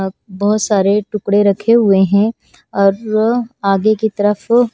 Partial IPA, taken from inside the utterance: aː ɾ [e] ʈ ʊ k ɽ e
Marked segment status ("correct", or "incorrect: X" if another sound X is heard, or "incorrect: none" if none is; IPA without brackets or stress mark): correct